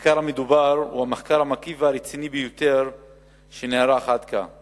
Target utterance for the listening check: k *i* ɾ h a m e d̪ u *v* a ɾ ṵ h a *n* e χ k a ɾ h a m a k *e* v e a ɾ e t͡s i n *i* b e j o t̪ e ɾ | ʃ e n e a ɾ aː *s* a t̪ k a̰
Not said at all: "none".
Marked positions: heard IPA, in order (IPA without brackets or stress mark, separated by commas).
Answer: a, b, m, i, i, χ